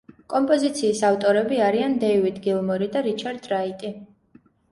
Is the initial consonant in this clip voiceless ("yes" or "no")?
yes